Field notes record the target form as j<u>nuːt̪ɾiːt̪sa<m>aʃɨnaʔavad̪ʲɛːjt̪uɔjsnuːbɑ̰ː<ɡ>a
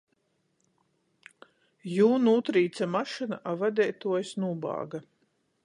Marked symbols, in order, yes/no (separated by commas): no, yes, yes